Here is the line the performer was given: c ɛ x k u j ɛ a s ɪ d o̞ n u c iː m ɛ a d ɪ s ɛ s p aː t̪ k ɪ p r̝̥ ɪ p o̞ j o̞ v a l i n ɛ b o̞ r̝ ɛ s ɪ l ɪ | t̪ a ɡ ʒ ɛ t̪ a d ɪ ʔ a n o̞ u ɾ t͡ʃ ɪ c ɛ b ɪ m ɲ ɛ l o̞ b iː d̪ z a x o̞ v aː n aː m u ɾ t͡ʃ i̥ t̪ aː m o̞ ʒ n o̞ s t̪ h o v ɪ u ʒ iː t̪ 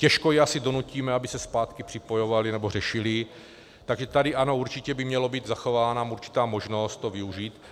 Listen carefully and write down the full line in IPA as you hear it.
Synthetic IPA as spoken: c ɛ ʃ k o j ɛ a s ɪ d o̞ n u c iː m ɛ a b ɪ s ɛ s p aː t̪ k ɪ p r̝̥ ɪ p o̞ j o̞ v a l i n ɛ b o̞ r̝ ɛ ʃ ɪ l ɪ | t̪ a ɡ ʒ ɛ t̪ a d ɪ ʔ a n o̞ u ɾ t͡ʃ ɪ c ɛ b ɪ m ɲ ɛ l o̞ b iː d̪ z a x o̞ v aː n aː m u ɾ t͡ʃ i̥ t̪ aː m o̞ ʒ n o̞ s t̪ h o v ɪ u ʒ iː t̪